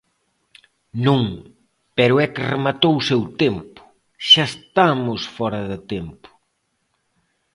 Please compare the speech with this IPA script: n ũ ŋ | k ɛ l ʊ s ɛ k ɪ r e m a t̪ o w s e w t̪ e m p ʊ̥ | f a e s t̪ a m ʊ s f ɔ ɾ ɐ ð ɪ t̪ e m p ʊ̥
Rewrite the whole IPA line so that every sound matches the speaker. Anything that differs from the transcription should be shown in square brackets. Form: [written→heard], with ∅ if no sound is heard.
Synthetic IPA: n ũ ŋ | [k→p] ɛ [l→ɾ] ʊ [s→∅] ɛ k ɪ r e m a t̪ o w s e w t̪ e m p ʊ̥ | [f→ʃ] a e s t̪ a m ʊ s f ɔ ɾ ɐ ð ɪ t̪ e m p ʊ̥